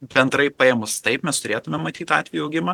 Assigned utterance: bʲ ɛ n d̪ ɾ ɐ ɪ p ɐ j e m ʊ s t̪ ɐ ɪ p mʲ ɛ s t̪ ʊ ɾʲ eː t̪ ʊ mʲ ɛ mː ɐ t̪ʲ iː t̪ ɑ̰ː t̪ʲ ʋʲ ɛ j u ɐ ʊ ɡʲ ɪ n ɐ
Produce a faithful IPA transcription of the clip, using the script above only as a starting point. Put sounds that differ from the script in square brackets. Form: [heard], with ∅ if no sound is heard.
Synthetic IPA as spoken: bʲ ɛ n d̪ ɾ ɐ ɪ p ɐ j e m ʊ s t̪ ɐ ɪ p mʲ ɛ s t̪ ʊ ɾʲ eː t̪ ʊ mʲ ɛ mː ɐ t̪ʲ iː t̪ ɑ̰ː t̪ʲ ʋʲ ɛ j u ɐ ʊ ɡʲ ɪ [m] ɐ